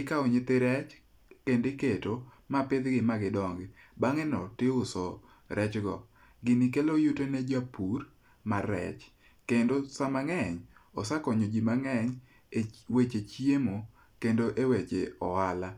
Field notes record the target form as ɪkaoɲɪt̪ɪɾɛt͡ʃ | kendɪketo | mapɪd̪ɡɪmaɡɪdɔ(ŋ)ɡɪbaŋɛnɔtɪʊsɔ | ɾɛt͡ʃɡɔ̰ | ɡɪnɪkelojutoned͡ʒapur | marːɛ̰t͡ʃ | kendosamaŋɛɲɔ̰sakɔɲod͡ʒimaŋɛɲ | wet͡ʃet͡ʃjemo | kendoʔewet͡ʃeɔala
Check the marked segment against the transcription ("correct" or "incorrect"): correct